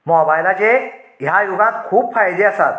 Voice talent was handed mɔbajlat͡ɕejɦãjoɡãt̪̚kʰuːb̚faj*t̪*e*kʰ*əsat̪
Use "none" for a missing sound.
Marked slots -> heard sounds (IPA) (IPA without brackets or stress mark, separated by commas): d̪, none